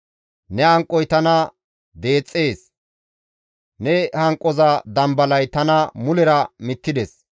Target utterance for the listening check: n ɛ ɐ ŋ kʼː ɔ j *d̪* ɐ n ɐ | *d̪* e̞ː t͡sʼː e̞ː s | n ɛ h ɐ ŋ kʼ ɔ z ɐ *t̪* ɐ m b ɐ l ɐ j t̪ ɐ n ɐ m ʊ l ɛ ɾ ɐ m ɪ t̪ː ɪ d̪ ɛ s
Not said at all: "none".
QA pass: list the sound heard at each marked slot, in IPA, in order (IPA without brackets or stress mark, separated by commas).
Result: t̪, d̪, d̪